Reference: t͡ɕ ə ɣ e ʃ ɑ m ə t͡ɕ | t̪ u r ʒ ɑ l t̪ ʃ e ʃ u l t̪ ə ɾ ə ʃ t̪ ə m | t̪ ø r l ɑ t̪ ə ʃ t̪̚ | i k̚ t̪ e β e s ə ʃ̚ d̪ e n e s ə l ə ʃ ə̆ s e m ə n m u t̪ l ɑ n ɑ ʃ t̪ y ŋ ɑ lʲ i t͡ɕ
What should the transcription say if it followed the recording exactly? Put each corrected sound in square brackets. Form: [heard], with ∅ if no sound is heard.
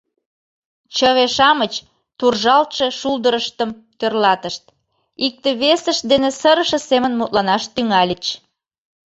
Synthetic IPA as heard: t͡ɕ ə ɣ e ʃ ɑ m ə t͡ɕ | t̪ u r ʒ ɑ l t̪ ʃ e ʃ u l [d̪] ə ɾ ə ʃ t̪ ə m | t̪ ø r l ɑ t̪ ə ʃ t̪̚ | i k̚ t̪ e β e s ə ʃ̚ d̪ e n e s ə [ɾ] ə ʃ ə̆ s e m ə n m u t̪ l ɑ n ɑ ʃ t̪ y ŋ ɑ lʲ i t͡ɕ

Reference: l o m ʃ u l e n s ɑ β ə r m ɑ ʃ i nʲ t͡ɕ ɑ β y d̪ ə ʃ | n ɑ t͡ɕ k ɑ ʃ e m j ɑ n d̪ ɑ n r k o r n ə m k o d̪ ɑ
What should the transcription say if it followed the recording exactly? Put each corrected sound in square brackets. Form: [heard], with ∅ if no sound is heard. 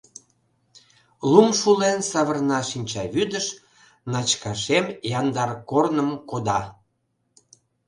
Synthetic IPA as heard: l [u] m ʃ u l e n s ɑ β ə r [n] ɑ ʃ i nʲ t͡ɕ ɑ β y d̪ ə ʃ | n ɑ t͡ɕ k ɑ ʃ e m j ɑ n d̪ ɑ [∅] r k o r n ə m k o d̪ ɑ

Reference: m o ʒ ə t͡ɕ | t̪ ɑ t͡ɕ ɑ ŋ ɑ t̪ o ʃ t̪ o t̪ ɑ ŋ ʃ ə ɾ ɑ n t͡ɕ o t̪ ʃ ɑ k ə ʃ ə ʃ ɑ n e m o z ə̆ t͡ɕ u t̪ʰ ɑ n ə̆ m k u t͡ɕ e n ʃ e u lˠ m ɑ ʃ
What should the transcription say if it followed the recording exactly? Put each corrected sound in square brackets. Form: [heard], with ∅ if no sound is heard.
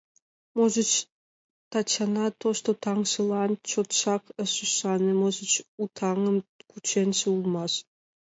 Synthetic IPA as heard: m o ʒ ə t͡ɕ | t̪ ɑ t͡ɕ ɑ [n] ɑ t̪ o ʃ t̪ o t̪ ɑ ŋ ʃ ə [l] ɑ n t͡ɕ o t̪ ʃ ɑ k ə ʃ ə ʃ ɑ n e m o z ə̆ t͡ɕ u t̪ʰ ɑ [ŋ] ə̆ m k u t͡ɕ e n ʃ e u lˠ m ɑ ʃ

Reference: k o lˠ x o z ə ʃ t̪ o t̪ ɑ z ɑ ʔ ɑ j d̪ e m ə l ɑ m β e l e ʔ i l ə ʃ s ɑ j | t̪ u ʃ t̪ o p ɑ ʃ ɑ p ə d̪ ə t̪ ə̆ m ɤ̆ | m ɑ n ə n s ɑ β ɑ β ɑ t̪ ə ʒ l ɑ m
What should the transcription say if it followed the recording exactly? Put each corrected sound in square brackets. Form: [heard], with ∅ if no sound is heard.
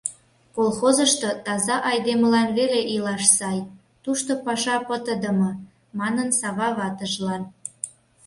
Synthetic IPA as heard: k o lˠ x o z ə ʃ t̪ o t̪ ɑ z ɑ ʔ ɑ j d̪ e m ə l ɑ [n] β e l e ʔ i l [ɑ] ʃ s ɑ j | t̪ u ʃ t̪ o p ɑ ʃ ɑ p ə [t̪] ə [d̪] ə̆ m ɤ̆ | m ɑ n ə n s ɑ β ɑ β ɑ t̪ ə ʒ l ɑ [n]

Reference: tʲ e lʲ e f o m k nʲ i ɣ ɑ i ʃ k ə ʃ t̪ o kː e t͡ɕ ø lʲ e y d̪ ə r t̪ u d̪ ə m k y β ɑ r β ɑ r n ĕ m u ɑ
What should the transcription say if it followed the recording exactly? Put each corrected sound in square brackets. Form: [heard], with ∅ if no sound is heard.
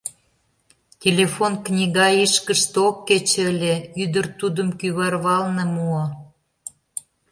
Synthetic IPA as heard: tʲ e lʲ e f o [n] k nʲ i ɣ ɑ i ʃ k ə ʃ t̪ o kː e t͡ɕ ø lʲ e y d̪ ə r t̪ u d̪ ə m k y β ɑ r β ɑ [l] n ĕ m u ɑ

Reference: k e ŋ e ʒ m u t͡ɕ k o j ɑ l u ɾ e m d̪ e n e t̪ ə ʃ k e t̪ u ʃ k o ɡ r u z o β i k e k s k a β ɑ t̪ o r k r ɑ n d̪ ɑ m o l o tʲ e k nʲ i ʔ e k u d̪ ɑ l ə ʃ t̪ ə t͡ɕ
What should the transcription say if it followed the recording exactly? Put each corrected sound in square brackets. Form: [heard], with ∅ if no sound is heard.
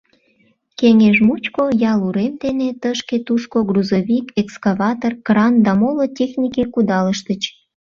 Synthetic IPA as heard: k e ŋ e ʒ m u t͡ɕ k o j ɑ l u ɾ e m d̪ e n e t̪ ə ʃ k e t̪ u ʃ k o ɡ r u z o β i k e k s k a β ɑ t̪ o r k r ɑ n d̪ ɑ m o l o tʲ e [x] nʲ i [k] e k u d̪ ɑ l ə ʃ t̪ ə t͡ɕ

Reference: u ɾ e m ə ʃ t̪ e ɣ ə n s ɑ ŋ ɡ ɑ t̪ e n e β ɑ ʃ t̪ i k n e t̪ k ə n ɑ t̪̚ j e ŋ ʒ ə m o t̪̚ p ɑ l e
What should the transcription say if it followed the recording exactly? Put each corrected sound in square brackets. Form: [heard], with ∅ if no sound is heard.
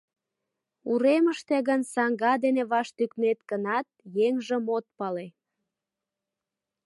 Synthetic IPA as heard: u ɾ e m ə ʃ t̪ e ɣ ə n s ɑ ŋ ɡ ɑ [d̪] e n e β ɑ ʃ t̪ [y] k n e t̪ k ə n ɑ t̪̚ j e ŋ ʒ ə m o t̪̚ p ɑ l e

